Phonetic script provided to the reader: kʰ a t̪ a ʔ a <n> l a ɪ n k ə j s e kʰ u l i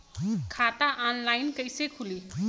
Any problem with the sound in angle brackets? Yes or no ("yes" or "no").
no